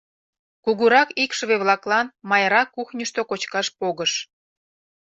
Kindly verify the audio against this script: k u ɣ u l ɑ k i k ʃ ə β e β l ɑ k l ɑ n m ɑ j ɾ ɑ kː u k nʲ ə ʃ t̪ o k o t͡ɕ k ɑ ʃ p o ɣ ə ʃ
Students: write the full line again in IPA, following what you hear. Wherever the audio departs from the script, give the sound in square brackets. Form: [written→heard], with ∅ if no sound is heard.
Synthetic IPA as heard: k u ɣ u [l→ɾ] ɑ k i k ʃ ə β e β l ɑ k l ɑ n m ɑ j ɾ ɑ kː u [k→x] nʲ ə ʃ t̪ o k o t͡ɕ k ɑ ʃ p o ɣ ə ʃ